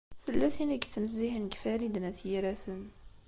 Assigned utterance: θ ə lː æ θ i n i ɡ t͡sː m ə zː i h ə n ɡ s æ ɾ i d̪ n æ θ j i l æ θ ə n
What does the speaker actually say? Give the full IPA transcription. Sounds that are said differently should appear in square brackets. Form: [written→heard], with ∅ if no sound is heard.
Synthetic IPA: θ ə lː æ θ i n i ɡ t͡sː [m→n] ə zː i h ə n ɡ [s→f] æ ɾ i d̪ n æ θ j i [l→ɾ] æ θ ə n

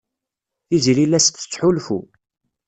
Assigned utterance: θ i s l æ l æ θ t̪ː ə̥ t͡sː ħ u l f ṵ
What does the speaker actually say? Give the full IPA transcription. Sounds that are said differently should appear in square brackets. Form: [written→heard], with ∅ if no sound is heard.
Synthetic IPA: θ i [s→z] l [æ→i] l æ [θ→s] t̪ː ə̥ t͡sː ħ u l f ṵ

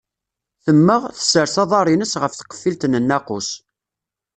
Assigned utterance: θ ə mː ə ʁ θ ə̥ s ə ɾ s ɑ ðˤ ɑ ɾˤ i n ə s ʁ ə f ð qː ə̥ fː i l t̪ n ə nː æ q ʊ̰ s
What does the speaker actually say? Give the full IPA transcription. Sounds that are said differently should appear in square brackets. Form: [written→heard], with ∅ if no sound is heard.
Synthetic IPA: θ ə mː ə ʁ θ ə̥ s ə ɾ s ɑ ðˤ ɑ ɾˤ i n ə s ʁ ə f [ð→θ] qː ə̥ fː i l t̪ n ə nː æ q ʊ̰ s

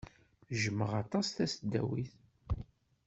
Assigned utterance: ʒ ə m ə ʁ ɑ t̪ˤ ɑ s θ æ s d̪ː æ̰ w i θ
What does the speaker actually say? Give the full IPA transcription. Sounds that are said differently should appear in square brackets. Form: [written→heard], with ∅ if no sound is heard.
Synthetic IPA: ʒ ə m ə ʁ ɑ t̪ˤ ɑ s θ æ s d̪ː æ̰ w i θ

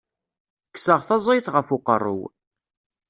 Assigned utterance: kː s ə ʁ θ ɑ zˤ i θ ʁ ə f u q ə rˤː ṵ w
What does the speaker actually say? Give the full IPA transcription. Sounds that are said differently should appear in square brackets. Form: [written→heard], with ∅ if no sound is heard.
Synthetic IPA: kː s ə ʁ θ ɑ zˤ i θ ʁ ə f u q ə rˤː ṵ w

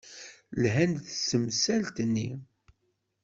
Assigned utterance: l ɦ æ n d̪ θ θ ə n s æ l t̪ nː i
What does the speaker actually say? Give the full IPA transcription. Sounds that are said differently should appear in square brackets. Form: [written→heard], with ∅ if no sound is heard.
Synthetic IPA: l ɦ æ n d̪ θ [θ→s] ə [n→m] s æ l t̪ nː i

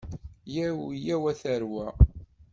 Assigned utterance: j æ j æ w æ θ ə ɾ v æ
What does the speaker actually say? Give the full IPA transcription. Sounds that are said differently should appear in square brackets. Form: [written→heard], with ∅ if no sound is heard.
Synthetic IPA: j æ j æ w æ θ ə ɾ [v→w] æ

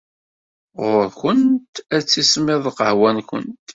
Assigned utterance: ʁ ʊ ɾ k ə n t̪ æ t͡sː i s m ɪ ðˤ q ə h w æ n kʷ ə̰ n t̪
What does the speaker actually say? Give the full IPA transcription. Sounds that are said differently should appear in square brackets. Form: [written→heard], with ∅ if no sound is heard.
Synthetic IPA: ʁ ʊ ɾ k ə n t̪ æ t͡sː i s m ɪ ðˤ q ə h w æ n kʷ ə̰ n t̪

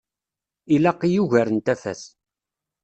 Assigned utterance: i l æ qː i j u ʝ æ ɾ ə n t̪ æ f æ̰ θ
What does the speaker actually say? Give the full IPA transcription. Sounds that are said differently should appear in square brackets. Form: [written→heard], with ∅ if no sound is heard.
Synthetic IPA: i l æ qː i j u ʝ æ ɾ ə n t̪ æ f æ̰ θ

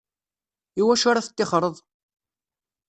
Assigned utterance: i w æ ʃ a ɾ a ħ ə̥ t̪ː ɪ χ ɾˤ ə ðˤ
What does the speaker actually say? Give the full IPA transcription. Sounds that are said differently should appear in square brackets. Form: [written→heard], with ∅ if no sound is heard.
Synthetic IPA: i w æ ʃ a ɾ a [ħ→θ] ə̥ t̪ː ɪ χ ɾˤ ə ðˤ

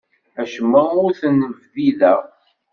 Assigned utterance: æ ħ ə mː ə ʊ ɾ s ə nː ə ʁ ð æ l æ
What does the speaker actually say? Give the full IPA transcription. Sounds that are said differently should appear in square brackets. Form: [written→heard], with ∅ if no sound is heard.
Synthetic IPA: æ [ħ→ʃ] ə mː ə ʊ ɾ [s→θ] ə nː ə [ʁ→v] ð [æ→i] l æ

